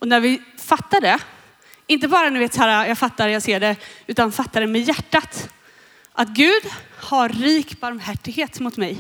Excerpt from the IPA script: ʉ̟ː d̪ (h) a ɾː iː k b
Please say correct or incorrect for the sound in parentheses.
correct